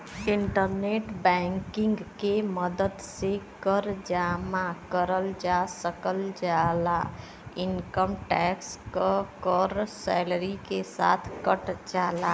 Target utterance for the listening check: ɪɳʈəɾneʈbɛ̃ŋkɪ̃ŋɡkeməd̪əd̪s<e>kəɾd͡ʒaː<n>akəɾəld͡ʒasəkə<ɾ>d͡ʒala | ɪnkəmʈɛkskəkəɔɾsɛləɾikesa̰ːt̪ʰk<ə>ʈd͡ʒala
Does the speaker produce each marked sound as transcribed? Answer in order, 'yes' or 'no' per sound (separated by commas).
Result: yes, no, no, yes